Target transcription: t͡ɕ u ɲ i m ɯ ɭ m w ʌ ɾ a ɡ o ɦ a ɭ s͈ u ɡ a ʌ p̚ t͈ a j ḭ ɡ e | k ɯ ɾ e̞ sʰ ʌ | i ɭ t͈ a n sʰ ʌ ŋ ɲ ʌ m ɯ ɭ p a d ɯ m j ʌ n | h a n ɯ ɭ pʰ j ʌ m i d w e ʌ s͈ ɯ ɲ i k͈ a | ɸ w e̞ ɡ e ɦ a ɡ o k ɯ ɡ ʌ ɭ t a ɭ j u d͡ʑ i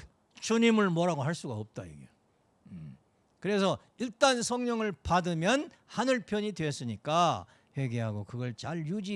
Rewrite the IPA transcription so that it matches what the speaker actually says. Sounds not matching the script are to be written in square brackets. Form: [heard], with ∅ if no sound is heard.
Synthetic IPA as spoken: t͡ɕ u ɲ i m ɯ ɭ m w ʌ ɾ a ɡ o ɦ a ɭ s͈ u ɡ a ʌ p̚ t͈ a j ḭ ɡ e | k ɯ ɾ e̞ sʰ ʌ | i ɭ t͈ a n sʰ ʌ ŋ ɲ ʌ [ŋ] ɯ ɭ p a d ɯ m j ʌ n | h a n ɯ ɭ pʰ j ʌ [ɲ] i d w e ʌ s͈ ɯ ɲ i k͈ a | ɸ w e̞ ɡ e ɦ a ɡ o k ɯ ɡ ʌ ɭ [t͡ɕ] a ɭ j u d͡ʑ i